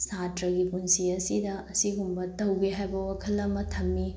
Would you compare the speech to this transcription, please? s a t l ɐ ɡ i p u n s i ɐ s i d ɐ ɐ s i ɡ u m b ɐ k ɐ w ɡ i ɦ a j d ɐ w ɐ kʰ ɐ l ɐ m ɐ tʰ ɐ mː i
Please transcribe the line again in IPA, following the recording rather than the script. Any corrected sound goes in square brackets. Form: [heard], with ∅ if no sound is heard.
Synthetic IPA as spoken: s a t [ɾ] ɐ ɡ i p u n s i ɐ s i d ɐ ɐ s i ɡ u m b ɐ [t] ɐ w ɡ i ɦ a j [b] ɐ w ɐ kʰ ɐ l ɐ m ɐ tʰ ɐ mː i